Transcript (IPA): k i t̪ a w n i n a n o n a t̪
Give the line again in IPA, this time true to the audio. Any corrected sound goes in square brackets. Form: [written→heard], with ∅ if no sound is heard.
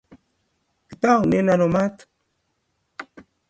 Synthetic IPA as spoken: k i t̪ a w n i n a n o [n→m] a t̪